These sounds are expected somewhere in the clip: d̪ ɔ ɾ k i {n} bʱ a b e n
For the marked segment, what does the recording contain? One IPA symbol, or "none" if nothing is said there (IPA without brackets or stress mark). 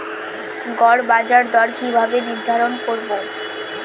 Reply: none